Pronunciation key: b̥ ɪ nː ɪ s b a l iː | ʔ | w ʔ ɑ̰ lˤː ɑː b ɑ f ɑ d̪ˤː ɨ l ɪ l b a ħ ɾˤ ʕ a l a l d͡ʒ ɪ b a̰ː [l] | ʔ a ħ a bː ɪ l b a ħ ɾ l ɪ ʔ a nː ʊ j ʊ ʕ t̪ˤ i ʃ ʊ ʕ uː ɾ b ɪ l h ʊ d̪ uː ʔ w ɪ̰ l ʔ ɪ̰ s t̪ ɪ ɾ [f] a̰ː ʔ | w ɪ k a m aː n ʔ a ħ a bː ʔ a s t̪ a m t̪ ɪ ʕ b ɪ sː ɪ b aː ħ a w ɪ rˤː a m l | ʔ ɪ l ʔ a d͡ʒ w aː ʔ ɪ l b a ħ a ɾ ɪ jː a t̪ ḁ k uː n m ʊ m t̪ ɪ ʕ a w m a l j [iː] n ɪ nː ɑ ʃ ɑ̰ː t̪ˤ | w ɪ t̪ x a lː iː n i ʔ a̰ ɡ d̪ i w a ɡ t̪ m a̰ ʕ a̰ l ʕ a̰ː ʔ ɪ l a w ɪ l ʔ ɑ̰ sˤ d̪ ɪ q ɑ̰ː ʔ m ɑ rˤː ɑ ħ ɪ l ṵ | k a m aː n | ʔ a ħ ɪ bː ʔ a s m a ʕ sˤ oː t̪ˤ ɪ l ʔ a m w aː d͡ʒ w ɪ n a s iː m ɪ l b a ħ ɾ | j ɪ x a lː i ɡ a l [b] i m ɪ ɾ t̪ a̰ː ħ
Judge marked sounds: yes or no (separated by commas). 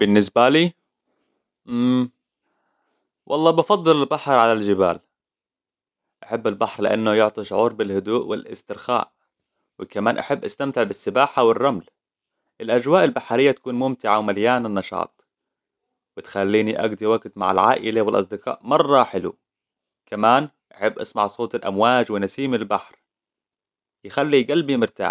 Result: yes, no, no, yes